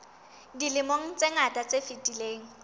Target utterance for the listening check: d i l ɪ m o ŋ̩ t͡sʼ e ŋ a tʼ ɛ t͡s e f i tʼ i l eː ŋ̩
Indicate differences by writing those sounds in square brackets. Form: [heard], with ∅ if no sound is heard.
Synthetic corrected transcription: d i l ɪ m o ŋ̩ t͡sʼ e ŋ a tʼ [a] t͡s e f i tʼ i l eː ŋ̩